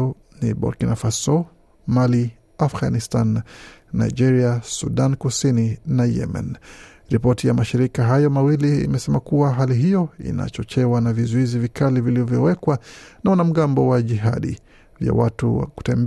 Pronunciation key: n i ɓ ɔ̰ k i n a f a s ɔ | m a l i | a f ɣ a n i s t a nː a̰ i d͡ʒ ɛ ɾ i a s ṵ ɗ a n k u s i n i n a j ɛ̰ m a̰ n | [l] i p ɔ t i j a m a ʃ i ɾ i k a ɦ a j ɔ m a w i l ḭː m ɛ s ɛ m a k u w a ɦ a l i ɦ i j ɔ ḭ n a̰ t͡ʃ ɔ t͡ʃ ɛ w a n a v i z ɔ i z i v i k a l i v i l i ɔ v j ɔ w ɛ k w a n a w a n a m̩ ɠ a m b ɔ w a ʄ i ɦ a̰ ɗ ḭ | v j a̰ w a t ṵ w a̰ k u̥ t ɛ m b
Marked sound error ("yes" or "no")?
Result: yes